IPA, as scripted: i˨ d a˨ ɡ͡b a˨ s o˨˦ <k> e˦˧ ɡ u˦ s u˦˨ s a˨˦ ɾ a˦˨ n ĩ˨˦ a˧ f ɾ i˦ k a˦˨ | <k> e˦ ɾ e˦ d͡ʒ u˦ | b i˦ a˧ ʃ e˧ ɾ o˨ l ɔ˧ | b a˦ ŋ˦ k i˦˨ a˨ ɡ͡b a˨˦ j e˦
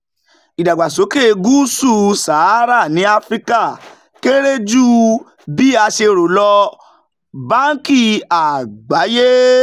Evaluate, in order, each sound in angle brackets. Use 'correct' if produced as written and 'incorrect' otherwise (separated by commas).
correct, correct